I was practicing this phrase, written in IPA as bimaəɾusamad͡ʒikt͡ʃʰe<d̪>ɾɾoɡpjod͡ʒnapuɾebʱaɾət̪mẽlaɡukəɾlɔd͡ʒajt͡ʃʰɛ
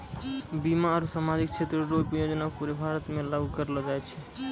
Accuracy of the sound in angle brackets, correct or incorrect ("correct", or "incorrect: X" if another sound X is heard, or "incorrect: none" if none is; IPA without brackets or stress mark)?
incorrect: t̪